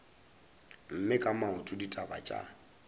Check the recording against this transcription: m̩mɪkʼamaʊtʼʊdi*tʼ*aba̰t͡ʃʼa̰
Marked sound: correct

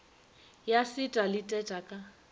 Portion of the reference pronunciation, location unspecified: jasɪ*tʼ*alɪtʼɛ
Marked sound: correct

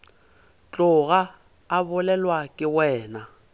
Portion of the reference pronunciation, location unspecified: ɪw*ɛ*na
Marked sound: incorrect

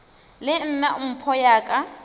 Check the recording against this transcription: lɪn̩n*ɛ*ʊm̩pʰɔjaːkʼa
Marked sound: incorrect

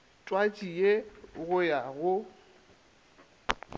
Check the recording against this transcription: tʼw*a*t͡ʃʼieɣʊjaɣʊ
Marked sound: correct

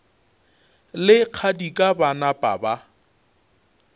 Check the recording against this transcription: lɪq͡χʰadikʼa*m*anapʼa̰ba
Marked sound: incorrect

